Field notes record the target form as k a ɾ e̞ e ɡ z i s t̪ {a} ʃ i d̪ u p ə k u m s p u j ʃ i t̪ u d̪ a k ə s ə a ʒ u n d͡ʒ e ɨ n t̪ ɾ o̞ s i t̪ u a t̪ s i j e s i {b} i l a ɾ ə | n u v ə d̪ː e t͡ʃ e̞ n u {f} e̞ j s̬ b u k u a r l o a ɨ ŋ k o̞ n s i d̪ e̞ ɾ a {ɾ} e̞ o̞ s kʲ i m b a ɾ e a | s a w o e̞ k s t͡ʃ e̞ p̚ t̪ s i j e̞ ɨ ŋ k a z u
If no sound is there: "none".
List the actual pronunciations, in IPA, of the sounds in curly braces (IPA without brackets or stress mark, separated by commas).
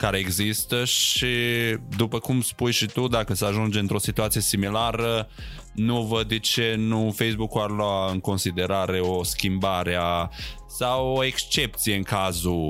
ə, m, f, ɾ